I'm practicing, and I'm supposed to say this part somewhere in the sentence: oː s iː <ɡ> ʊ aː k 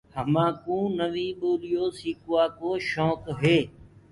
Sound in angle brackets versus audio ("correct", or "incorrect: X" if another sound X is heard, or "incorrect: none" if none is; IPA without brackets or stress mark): incorrect: k